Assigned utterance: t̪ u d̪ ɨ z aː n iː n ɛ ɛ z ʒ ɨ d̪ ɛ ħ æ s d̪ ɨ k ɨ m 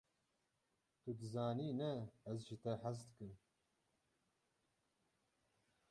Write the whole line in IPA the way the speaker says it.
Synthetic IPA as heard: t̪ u d̪ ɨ z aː n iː n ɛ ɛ z ʒ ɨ t̪ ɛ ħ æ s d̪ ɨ k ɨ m